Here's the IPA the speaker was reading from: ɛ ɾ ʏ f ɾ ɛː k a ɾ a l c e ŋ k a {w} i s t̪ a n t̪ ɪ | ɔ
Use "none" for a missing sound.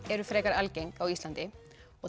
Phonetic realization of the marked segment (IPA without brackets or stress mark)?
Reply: w